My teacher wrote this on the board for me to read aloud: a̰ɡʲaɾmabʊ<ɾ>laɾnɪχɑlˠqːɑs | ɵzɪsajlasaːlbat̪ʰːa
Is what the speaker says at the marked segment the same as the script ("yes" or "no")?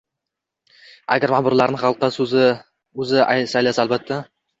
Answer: yes